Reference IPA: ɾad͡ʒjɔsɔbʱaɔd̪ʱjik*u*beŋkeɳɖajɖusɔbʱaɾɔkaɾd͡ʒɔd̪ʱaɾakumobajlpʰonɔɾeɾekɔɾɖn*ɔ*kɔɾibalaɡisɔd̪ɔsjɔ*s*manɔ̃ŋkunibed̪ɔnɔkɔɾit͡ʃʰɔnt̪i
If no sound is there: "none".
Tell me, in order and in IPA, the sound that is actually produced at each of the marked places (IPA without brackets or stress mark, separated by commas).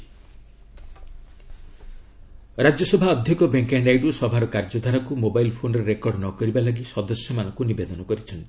ɔ, ɔ, none